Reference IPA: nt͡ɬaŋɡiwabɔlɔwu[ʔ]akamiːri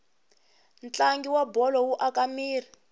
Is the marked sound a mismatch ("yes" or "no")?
no